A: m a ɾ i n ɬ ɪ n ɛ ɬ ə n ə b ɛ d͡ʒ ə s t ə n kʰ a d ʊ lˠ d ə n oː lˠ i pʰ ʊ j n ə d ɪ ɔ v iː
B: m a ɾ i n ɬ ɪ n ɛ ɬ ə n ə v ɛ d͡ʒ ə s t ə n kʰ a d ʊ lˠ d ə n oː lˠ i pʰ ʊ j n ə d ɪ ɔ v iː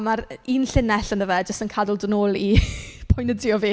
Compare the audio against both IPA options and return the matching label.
B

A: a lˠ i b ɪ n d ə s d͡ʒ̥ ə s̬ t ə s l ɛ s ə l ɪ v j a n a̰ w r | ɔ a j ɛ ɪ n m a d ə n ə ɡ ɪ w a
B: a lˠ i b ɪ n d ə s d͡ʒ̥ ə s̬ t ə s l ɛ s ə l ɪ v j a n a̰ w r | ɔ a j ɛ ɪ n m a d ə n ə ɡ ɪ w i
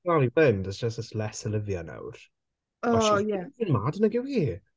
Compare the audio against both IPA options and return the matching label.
B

